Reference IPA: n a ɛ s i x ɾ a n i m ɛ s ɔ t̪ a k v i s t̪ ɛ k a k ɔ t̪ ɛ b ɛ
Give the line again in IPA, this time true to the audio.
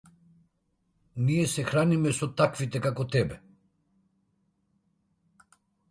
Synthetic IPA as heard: n i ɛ s ɛ x ɾ a n i m ɛ s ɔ t̪ a k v i t̪ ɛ k a k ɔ t̪ ɛ b ɛ